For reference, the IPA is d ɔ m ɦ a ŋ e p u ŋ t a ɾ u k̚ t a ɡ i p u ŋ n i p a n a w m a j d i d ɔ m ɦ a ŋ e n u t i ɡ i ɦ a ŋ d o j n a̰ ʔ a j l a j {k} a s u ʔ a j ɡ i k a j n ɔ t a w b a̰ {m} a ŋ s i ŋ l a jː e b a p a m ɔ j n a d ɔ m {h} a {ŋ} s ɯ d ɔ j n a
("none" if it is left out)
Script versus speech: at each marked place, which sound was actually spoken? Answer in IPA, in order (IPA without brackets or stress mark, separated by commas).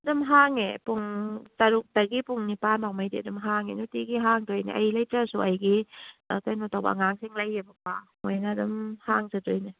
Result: t, ŋ, h, ŋ